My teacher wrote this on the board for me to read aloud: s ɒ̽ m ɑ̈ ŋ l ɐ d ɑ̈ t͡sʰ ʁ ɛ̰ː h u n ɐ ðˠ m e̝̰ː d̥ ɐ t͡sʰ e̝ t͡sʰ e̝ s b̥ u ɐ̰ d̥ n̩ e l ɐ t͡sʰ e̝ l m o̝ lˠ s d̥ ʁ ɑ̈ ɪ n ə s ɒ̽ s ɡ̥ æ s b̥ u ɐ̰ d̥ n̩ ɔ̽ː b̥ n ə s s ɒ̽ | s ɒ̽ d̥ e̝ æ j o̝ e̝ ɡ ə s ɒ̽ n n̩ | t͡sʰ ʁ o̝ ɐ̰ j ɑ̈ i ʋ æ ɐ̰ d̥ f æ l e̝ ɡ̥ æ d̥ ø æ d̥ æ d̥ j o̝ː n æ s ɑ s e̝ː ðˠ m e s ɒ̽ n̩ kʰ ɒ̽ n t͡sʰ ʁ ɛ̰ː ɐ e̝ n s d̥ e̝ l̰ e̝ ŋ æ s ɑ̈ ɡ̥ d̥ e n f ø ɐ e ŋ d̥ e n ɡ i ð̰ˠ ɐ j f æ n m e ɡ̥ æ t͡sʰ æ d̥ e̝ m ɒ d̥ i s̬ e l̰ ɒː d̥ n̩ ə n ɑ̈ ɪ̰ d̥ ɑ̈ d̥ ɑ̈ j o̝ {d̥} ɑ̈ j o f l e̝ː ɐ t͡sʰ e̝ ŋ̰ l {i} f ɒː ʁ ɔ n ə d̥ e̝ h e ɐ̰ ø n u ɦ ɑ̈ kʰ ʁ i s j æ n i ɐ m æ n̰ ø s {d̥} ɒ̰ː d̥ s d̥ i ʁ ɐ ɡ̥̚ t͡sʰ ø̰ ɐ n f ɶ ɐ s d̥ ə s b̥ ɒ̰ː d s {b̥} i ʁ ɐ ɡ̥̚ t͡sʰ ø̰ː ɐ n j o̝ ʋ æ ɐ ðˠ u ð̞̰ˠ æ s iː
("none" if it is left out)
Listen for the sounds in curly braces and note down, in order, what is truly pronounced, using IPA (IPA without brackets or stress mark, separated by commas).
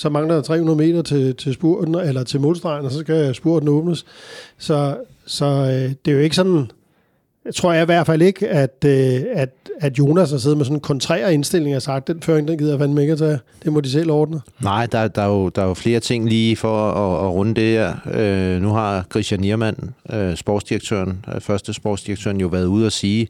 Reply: d̥, iː, b̥, d̥